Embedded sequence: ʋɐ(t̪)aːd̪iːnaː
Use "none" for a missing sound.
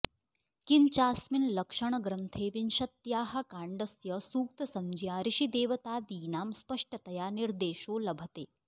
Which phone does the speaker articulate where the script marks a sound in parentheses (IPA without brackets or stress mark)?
t̪